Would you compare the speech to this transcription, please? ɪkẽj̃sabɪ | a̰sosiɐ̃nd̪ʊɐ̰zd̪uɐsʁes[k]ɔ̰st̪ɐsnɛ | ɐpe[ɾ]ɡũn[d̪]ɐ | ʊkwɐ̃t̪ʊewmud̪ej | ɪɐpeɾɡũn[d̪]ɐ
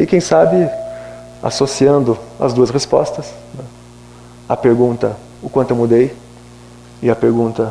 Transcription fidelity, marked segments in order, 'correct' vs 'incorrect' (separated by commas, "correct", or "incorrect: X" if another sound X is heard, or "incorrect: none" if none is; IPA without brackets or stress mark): incorrect: p, correct, incorrect: t̪, incorrect: t̪